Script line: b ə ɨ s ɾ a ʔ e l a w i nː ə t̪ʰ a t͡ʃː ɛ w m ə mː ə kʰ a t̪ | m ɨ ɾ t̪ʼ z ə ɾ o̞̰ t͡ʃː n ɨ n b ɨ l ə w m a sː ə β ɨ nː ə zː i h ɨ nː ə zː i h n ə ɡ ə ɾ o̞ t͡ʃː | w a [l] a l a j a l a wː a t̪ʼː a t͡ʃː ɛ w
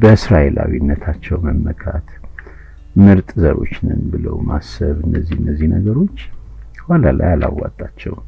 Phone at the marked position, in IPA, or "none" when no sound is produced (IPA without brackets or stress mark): l